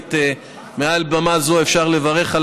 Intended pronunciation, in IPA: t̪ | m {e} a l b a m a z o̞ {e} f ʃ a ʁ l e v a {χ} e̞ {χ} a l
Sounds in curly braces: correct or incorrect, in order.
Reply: correct, correct, incorrect: ʁ, correct

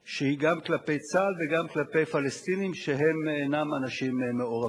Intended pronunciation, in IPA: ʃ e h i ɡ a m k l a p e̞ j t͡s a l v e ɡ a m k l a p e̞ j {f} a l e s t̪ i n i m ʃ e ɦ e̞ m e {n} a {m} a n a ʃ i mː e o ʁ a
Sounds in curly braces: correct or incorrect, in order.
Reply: correct, correct, correct

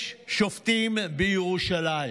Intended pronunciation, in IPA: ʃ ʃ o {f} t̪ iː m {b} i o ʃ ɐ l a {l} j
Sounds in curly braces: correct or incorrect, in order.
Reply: correct, correct, incorrect: none

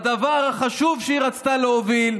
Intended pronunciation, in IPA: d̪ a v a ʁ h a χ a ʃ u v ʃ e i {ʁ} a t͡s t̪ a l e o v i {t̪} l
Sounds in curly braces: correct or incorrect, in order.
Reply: correct, incorrect: none

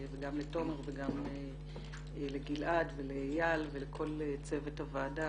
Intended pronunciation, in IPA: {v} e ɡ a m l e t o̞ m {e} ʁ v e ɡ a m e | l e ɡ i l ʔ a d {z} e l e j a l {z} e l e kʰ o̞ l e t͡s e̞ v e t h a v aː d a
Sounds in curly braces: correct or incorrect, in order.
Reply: correct, correct, incorrect: v, incorrect: v

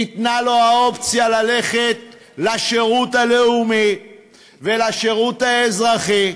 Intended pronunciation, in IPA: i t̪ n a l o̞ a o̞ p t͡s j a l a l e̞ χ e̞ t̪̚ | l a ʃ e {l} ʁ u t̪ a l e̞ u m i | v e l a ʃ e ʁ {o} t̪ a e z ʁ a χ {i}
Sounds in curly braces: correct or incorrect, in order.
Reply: incorrect: none, incorrect: u, correct

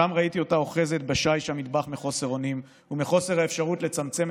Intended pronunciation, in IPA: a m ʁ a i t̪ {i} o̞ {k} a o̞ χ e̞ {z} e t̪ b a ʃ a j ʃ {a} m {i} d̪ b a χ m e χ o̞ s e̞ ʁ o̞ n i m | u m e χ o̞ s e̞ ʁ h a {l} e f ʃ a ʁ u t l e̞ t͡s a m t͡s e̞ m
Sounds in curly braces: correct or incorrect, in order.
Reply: correct, incorrect: t, correct, correct, correct, incorrect: none

